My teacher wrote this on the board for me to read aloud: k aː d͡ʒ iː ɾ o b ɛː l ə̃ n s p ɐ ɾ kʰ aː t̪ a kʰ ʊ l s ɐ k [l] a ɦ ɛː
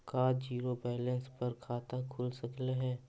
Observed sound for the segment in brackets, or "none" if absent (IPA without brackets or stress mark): l